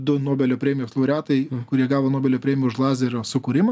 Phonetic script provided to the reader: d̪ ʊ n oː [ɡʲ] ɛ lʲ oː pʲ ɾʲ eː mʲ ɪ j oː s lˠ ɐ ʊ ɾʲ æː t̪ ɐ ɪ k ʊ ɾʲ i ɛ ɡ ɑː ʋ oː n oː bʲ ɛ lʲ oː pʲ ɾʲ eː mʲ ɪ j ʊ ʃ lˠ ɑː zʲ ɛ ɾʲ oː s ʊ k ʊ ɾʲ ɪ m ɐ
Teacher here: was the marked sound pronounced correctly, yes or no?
no